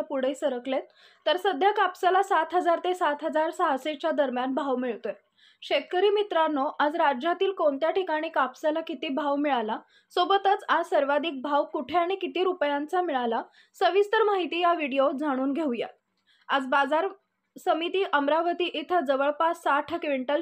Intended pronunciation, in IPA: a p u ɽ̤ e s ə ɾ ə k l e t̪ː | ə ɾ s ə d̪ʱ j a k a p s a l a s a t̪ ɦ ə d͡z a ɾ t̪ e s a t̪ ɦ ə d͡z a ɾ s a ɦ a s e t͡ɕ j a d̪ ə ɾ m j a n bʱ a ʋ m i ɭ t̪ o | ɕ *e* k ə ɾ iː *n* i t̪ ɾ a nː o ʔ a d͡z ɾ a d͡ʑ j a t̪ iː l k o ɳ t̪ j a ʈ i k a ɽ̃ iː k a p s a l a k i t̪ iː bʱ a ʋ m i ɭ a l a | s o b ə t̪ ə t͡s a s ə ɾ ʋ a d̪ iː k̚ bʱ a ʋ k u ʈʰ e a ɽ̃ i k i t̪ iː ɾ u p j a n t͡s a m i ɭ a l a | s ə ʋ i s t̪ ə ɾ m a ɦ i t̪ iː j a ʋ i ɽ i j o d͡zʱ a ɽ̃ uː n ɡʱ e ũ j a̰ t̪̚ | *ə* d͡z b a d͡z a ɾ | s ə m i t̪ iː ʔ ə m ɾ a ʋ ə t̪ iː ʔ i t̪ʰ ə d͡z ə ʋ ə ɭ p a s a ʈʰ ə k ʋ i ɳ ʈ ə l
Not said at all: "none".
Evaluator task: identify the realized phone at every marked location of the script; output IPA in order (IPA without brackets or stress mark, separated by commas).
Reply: e, m, a